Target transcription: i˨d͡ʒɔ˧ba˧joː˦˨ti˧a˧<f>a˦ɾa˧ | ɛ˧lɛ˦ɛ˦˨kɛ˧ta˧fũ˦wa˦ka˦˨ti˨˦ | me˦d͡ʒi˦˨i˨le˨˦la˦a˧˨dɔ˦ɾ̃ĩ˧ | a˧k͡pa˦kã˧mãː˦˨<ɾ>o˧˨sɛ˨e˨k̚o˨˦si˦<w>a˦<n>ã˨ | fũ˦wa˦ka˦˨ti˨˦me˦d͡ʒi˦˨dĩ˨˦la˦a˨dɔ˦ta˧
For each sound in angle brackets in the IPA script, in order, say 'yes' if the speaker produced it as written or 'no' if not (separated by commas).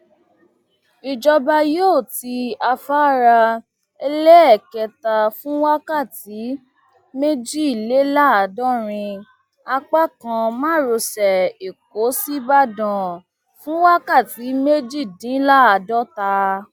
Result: yes, yes, no, no